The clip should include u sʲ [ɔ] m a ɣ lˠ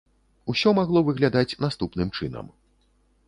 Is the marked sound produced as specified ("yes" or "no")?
yes